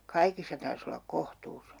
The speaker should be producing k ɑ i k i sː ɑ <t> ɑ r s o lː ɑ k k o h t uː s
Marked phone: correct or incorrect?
correct